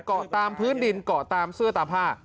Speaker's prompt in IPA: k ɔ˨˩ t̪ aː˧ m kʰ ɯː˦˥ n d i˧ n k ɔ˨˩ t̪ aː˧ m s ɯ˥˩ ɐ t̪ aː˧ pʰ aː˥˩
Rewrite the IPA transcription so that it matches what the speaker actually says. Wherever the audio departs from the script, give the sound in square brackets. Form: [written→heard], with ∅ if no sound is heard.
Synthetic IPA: k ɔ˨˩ t̪ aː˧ m [kʰ→pʰ] ɯː˦˥ n d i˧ n k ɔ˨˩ t̪ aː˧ m s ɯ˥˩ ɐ t̪ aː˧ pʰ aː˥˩